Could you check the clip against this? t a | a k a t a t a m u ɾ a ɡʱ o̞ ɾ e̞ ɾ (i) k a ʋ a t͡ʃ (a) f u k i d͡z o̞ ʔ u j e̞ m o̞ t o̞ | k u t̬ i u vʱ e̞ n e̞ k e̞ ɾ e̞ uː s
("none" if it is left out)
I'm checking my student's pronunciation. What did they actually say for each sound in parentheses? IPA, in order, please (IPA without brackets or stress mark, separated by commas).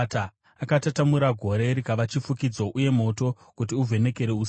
i, i